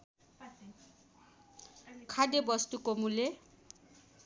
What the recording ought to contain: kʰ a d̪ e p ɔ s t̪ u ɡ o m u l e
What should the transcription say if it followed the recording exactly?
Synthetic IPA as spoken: kʰ a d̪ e b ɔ s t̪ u k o m u l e

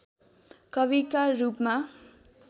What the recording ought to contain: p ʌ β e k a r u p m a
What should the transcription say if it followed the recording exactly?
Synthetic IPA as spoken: k ʌ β i k a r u p m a

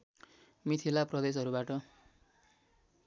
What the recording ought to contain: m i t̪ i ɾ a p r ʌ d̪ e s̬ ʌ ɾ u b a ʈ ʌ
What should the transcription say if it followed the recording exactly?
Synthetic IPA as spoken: m i t̪ʰ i l a p r ʌ d̪ e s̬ ʌ ɾ u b a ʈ ʌ

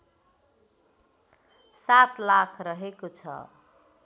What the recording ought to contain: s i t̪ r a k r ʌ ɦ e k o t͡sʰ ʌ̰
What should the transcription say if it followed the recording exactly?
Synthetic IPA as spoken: s a t̪ l a kʰ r ʌ ɦ e k o t͡sʰ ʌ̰

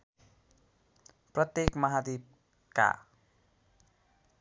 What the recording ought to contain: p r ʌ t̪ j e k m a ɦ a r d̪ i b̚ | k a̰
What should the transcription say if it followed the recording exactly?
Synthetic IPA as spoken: p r ʌ t̪ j e k m ʌ ɦ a d̪ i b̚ | k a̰

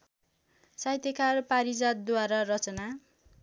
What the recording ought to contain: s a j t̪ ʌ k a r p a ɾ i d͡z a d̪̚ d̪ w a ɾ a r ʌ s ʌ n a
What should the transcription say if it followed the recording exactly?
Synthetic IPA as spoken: s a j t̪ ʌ k a r p a ɾ i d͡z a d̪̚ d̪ w a ɾ a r ʌ t͡s ʌ n a

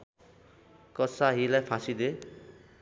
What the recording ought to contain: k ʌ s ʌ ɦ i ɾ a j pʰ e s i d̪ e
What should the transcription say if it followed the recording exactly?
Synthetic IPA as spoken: k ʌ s a ɦ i l a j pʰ a s i d̪ e

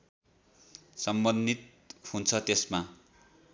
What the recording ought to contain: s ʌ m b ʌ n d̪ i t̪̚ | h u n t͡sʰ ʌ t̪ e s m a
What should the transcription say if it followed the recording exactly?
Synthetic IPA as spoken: s ʌ m b ʌ n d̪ i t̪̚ | h u n t͡sʰ ʌ t̪ e s m a

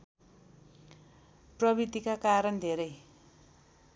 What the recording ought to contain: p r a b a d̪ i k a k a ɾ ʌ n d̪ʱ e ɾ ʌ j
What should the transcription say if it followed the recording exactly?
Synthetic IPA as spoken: p r ʌ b i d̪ i k a k a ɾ ʌ n d̪ʱ e ɾ ʌ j

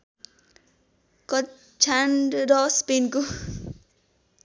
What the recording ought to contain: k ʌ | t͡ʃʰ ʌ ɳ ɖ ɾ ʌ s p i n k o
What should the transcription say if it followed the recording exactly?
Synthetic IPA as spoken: k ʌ | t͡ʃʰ a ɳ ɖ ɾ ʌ s p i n k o

